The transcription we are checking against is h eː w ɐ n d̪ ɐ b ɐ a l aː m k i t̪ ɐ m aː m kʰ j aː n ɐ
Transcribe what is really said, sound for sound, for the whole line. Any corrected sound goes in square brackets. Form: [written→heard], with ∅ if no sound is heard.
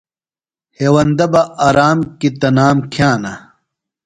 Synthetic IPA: h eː w ɐ n d̪ ɐ b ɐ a [l→ɾ] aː m k i t̪ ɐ [m→n] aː m kʰ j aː n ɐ